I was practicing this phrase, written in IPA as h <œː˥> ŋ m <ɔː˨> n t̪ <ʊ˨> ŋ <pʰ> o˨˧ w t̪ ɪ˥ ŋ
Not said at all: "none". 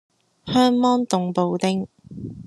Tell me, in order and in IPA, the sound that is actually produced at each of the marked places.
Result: œː˥, ɔː˥, ʊ˨, p

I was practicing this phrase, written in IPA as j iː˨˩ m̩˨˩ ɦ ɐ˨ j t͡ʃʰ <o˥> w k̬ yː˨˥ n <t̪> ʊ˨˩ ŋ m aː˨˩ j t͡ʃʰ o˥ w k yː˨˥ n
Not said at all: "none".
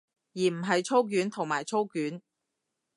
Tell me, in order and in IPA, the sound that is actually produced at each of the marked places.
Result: o˥, t̪ʰ

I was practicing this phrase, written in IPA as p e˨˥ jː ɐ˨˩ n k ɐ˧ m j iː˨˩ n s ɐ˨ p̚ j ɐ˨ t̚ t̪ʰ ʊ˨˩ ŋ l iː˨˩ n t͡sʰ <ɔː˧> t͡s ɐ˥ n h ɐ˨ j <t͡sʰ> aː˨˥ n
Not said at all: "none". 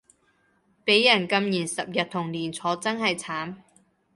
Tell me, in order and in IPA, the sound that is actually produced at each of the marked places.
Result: ɔː˨˥, t͡sʰ

